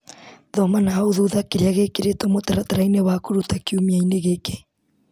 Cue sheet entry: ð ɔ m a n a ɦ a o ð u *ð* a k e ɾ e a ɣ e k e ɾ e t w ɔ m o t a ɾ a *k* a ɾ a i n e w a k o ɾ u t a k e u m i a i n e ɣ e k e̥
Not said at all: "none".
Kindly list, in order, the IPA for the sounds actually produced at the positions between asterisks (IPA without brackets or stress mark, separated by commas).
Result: ð, t